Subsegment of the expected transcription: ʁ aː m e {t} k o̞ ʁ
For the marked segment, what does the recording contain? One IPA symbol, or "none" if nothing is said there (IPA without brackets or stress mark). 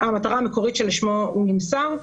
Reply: none